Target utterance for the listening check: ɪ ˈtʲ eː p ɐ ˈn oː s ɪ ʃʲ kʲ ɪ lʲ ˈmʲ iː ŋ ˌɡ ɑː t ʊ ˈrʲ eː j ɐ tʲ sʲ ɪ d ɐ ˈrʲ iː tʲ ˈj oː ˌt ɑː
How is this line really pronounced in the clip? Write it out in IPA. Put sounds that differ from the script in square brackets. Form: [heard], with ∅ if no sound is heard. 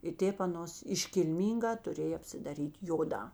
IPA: ɪ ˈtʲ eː p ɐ ˈn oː s ɪ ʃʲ kʲ ɪ lʲ ˈmʲ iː ŋ ˌɡ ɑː t ʊ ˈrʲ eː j ɐ [pʲ] sʲ ɪ d ɐ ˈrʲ iː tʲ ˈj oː [ˌd] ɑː

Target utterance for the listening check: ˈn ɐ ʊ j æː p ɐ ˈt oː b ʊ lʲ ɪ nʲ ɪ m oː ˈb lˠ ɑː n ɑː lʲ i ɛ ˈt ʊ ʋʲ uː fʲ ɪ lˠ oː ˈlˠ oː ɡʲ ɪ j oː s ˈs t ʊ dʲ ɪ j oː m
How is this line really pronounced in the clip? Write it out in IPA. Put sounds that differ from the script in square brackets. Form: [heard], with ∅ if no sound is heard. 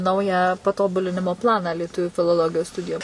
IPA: ˈn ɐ ʊ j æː p ɐ ˈt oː b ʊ lʲ ɪ nʲ ɪ m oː [ˈp] lˠ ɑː n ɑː lʲ i ɛ ˈt ʊ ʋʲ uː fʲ ɪ lˠ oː ˈlˠ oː ɡʲ ɪ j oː s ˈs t ʊ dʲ ɪ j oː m

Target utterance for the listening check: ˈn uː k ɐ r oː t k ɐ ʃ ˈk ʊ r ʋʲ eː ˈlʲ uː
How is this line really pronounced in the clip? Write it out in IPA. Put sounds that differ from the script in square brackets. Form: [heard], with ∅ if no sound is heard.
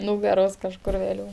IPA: ˈn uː [ɡ] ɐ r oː [s] k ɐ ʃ ˈk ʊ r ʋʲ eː ˈlʲ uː

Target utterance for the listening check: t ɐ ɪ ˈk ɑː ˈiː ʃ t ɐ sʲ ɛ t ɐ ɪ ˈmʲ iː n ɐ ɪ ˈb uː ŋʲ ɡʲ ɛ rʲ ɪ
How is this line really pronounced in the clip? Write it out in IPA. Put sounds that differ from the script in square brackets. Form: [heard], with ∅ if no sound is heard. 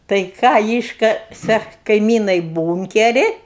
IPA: t ɐ ɪ ˈk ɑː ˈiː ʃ [k] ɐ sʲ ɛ [k] ɐ ɪ ˈmʲ iː n ɐ ɪ ˈb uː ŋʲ [kʲ] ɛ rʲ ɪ

